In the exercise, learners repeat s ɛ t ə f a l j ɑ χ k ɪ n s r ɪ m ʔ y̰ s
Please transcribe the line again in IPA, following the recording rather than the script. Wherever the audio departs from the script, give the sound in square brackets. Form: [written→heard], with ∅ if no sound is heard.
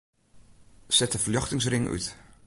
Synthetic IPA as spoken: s ɛ t ə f [a→ə] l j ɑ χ [k→t] ɪ [n→ŋ] s r ɪ [m→ŋ] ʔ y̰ [s→t]